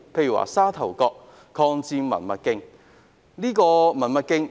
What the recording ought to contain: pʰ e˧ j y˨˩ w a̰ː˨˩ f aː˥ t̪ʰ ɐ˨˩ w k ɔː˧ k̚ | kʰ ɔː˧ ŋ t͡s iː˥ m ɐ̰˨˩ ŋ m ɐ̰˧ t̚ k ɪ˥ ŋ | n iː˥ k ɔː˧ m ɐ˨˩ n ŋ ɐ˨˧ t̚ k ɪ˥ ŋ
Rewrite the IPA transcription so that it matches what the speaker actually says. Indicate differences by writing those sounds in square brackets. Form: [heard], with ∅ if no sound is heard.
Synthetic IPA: pʰ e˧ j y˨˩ w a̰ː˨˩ [s] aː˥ t̪ʰ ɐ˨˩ w k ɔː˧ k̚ | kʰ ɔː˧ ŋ t͡s [iː˧] m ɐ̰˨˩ [n] m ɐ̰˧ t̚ k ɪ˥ ŋ | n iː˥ k ɔː˧ m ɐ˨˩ n [m] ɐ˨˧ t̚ k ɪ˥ ŋ